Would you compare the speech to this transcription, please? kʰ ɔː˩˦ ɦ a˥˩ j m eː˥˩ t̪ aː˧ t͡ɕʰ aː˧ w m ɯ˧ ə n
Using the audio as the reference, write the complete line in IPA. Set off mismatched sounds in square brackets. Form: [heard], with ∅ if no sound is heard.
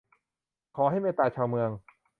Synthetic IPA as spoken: kʰ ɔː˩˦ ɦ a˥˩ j m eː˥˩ t̪ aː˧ t͡ɕʰ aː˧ w m ɯ˧ ə [ŋ]